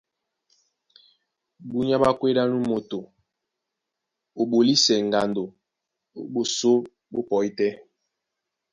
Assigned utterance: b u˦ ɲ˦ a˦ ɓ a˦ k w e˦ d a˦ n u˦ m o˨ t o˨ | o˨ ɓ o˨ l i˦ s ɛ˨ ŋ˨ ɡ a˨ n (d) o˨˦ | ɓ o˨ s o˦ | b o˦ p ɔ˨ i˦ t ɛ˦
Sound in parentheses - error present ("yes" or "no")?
no